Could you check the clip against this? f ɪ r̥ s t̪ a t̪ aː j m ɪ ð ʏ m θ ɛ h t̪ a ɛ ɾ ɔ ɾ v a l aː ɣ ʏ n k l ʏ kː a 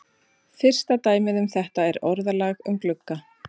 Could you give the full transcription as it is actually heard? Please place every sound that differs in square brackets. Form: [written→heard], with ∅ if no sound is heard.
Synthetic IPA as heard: f ɪ r̥ s t̪ a t̪ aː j m ɪ ð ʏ m θ ɛ h t̪ a ɛ ɾ ɔ ɾ [v→ð] a l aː ɣ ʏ [n→m] k l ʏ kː a